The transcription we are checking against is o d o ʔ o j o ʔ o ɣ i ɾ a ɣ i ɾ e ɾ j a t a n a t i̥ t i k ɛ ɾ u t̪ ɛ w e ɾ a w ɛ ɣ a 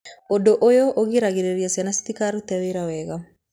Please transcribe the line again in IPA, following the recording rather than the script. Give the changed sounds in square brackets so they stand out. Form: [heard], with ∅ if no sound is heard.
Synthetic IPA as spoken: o d o ʔ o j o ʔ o ɣ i ɾ a ɣ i ɾ e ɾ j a [s] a n a [s] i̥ t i k [a] ɾ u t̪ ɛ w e ɾ a w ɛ ɣ a

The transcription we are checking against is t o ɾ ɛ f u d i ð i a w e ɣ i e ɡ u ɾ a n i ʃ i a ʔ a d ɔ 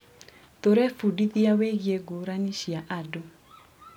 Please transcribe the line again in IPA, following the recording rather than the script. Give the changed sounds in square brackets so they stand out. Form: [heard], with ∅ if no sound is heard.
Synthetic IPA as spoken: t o ɾ ɛ f u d i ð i a w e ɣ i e ɡ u ɾ a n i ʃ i a ʔ a d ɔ

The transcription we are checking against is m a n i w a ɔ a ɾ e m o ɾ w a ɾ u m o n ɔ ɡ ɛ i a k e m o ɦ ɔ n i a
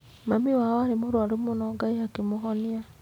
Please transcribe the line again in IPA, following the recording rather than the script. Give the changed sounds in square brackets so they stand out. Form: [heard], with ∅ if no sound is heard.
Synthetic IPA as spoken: m a [m] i w a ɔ a ɾ e m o ɾ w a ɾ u m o n ɔ ɡ [a] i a k e m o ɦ ɔ n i a

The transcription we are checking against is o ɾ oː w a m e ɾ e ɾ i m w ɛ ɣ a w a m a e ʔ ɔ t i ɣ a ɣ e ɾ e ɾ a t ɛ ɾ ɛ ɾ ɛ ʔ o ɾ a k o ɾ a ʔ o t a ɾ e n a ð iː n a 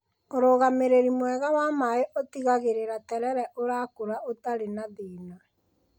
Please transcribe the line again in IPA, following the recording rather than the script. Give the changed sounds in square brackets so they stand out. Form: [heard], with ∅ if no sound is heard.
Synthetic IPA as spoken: o ɾ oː [ɣ] a m e ɾ e ɾ i m w ɛ ɣ a w a m a e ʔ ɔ t i ɣ a ɣ e ɾ e ɾ a t ɛ ɾ ɛ ɾ ɛ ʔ o ɾ a k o ɾ a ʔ o t a ɾ e n a ð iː n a

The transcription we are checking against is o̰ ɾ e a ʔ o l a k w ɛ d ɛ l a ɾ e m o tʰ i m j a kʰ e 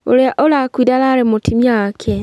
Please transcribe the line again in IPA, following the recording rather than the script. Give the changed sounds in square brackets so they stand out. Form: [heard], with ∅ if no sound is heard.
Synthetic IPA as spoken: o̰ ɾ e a ʔ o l a k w [i] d [a] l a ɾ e m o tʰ i m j a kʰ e

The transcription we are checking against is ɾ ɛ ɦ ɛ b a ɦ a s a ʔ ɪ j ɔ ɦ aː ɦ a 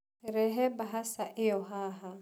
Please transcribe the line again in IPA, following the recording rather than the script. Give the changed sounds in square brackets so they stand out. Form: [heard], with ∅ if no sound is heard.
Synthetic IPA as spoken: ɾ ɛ ɦ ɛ b a ɦ a s a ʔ ɪ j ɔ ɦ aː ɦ a

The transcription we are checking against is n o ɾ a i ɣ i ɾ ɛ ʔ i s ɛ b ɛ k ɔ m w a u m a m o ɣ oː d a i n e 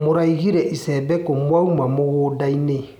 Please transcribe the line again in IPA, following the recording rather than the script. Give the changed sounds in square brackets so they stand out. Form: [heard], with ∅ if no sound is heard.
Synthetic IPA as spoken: [m] o ɾ a i ɣ i ɾ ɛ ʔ i s ɛ b ɛ k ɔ m w a u m a m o ɣ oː d a i n e

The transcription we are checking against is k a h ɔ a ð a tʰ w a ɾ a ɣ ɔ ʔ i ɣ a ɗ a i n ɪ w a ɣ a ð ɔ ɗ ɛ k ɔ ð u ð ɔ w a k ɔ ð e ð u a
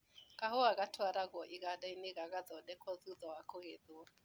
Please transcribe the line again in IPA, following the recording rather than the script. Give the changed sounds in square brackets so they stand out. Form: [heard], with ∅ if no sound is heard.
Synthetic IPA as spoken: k a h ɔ a [ɣ] a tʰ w a ɾ a ɣ ɔ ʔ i ɣ a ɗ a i n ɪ [ɣ] a ɣ a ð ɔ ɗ ɛ k ɔ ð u ð ɔ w a k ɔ [ɣ] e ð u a

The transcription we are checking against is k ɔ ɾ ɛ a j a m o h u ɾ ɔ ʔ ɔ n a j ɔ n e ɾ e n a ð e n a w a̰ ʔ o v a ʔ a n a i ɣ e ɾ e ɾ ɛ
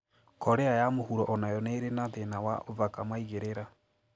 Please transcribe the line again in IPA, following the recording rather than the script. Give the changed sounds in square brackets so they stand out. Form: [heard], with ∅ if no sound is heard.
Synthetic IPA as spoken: k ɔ ɾ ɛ a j a m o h u ɾ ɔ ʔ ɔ n a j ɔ n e ɾ e n a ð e n a w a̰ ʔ o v a [k] a [m] a i ɣ e ɾ e ɾ [a]

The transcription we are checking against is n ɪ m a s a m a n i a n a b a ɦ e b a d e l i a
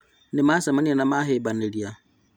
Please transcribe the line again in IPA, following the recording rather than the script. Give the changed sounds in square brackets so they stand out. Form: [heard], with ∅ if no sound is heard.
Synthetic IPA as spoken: n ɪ m a s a m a n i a n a [m] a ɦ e b a [n] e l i a

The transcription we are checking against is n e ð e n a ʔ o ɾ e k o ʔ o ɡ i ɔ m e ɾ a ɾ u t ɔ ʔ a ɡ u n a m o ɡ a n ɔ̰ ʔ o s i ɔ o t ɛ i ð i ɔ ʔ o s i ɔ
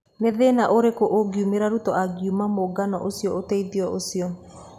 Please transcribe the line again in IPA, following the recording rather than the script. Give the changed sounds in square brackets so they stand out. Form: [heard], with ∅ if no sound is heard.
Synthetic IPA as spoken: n e ð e n a ʔ o ɾ e k o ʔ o ɡ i [u] m e ɾ a ɾ u t ɔ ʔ a ɡ u [m] a m o ɡ a n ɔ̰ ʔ o s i ɔ o t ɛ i ð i ɔ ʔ o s i ɔ

